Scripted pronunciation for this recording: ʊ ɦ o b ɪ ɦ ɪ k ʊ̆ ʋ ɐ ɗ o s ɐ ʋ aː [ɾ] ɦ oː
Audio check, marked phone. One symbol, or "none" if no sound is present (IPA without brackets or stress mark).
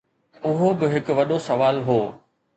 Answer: l